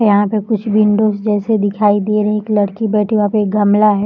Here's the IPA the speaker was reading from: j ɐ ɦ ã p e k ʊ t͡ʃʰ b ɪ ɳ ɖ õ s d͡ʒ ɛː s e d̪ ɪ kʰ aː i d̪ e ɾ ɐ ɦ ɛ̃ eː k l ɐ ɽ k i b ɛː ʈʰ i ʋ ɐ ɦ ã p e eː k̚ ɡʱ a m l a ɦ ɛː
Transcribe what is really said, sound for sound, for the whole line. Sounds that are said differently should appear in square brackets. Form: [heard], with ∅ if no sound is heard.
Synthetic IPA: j ɐ ɦ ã p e k ʊ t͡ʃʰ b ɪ ɳ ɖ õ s d͡ʒ ɛː s e d̪ ɪ kʰ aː i d̪ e ɾ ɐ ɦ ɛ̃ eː k l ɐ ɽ k i b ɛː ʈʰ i ʋ ɐ ɦ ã p e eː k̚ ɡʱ [ɐ] m l a ɦ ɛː